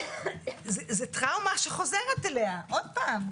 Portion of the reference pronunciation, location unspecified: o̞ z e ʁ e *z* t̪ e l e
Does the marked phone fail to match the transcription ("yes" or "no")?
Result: yes